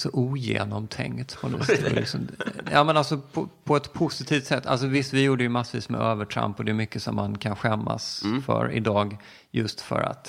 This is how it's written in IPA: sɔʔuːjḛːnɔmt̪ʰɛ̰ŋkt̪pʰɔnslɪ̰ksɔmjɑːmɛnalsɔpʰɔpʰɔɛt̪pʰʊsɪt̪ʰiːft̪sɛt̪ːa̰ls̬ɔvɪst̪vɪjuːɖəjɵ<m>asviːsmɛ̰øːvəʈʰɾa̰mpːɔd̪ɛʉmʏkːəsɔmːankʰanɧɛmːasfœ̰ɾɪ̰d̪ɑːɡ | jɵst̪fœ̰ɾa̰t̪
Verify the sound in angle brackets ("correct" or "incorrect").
correct